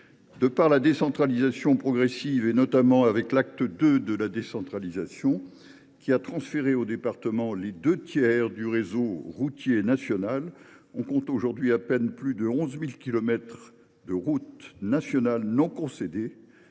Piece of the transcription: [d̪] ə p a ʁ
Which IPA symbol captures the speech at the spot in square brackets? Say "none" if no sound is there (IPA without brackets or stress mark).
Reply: d̪